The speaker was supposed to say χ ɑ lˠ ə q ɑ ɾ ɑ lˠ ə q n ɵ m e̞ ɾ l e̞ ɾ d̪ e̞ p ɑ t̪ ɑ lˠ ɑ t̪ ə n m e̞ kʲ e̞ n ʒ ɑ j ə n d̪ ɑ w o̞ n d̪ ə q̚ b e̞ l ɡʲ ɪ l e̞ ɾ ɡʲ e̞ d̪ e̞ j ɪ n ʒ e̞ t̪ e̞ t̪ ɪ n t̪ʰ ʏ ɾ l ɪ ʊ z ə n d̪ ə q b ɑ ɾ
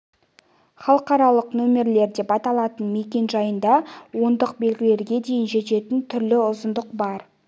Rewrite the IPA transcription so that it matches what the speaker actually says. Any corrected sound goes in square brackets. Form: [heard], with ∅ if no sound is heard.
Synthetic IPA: χ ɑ lˠ ə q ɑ ɾ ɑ lˠ ə q n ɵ m e̞ ɾ l e̞ ɾ d̪ e̞ p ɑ t̪ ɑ lˠ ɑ t̪ ə n m e̞ kʲ e̞ n ʒ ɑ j ə n d̪ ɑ w o̞ n d̪ ə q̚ b e̞ l ɡʲ ɪ l e̞ ɾ ɡʲ e̞ d̪ e̞ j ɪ n ʒ e̞ t̪ e̞ t̪ ɪ n t̪ʰ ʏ ɾ l ɪ ʊ z ə n d̪ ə q b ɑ ɾ